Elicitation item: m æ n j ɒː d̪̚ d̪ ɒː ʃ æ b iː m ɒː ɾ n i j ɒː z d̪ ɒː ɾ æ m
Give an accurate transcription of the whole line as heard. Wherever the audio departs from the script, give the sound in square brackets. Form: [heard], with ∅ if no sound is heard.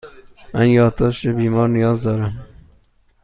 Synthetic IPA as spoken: m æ n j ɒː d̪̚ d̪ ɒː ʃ [e] b iː m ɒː ɾ n i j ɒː z d̪ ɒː ɾ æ m

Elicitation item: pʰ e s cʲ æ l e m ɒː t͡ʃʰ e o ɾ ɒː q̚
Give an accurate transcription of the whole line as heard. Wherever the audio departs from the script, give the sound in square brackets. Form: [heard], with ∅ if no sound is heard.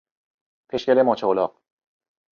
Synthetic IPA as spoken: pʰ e [ʃ] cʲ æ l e m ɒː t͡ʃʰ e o [l] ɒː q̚

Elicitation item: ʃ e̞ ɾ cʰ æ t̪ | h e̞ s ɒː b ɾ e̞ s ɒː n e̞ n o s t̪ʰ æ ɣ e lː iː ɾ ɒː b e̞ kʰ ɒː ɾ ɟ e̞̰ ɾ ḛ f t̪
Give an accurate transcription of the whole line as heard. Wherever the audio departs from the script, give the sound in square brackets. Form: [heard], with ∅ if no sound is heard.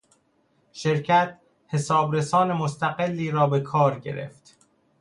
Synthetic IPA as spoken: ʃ e̞ ɾ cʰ æ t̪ | h e̞ s ɒː b ɾ e̞ s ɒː n e̞ [m] o s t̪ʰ æ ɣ e lː iː ɾ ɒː b e̞ kʰ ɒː ɾ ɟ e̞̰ ɾ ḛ f t̪

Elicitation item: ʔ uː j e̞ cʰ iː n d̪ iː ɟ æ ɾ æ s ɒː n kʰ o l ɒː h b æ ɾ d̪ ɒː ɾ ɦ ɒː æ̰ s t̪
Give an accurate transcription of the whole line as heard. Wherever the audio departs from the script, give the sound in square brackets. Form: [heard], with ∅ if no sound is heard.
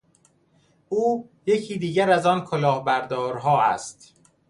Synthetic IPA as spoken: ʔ uː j e̞ cʰ iː [∅] d̪ iː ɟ æ ɾ æ [z] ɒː n kʰ o l ɒː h b æ ɾ d̪ ɒː ɾ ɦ ɒː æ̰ s t̪

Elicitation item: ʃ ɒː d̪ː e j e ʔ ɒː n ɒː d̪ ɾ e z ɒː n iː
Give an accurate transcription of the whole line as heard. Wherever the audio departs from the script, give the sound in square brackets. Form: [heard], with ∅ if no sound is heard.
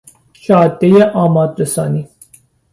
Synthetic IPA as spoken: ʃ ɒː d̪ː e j e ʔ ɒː [m] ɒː d̪ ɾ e [s] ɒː n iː

